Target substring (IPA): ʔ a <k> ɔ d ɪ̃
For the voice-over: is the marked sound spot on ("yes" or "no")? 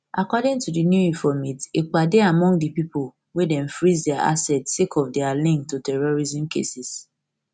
yes